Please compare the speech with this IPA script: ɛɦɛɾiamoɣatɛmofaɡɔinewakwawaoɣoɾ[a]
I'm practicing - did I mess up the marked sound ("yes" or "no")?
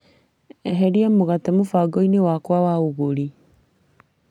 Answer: yes